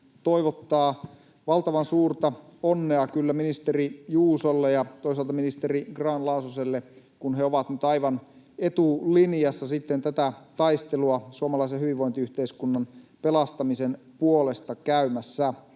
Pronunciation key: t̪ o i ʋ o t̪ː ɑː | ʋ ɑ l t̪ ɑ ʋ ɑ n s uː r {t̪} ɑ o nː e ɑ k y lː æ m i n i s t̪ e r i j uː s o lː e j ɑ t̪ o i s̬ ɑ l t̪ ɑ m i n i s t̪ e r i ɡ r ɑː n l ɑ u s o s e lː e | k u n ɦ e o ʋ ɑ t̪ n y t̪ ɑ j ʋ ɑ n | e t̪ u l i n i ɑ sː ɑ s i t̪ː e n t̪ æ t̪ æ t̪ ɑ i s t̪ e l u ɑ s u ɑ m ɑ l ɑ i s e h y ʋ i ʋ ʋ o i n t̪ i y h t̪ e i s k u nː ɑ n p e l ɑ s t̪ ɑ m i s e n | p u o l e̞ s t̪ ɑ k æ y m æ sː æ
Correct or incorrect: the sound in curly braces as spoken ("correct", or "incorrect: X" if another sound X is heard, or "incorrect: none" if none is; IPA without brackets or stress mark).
correct